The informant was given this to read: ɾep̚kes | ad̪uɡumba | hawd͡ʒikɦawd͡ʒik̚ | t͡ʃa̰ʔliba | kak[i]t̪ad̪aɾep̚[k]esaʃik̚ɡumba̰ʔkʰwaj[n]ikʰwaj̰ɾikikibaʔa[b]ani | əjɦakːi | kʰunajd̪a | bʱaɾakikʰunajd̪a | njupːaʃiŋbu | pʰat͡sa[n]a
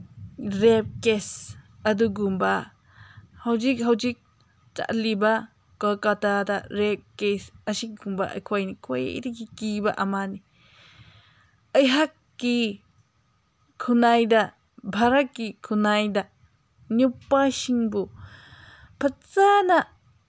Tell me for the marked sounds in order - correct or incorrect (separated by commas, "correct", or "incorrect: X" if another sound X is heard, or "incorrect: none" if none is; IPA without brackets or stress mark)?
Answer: incorrect: a, correct, correct, incorrect: m, correct